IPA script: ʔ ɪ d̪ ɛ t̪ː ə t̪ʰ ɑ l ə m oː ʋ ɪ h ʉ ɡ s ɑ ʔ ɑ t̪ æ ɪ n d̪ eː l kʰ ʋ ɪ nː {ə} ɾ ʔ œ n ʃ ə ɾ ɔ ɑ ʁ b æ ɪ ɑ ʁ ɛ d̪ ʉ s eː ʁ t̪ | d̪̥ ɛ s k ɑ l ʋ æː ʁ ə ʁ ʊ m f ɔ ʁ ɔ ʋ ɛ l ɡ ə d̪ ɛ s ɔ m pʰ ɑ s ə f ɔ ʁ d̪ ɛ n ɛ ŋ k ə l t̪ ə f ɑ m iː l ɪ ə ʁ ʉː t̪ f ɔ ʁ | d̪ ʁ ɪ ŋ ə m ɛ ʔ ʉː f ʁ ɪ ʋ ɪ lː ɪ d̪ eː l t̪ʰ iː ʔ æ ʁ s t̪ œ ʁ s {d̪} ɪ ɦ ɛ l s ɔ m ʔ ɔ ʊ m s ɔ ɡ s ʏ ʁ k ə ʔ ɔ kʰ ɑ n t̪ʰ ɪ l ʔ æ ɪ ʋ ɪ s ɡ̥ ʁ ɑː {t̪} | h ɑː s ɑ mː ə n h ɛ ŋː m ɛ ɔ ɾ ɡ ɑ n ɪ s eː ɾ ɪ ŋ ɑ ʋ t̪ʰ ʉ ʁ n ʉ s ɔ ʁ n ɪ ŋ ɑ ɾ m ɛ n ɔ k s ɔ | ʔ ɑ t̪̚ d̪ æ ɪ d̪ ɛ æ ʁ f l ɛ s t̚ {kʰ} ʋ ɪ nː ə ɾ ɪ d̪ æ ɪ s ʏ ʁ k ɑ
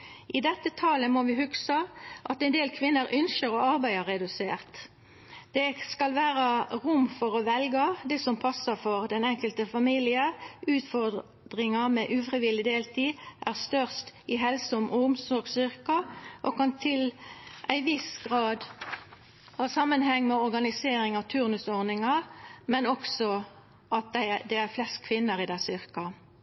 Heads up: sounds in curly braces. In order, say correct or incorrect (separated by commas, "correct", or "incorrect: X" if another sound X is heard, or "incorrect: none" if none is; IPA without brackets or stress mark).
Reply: correct, incorrect: t̪, incorrect: d̪, correct